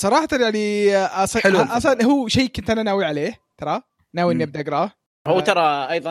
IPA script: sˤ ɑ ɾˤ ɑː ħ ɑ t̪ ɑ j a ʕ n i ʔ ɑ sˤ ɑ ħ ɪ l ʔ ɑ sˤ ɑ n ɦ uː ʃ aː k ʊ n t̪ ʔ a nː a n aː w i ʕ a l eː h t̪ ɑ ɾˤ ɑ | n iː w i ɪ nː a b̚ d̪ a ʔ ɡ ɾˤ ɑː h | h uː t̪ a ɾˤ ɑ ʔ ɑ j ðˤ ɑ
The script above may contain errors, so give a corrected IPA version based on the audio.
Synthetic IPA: sˤ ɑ ɾˤ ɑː ħ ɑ t̪ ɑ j a ʕ n i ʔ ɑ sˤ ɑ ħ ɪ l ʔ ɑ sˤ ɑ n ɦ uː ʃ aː k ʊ n t̪ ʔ a n a n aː w i ʕ a l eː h t̪ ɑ ɾˤ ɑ | n aː w i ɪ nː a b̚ d̪ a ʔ ɡ ɾˤ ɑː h | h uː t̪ ɑ ɾˤ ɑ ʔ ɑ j ðˤ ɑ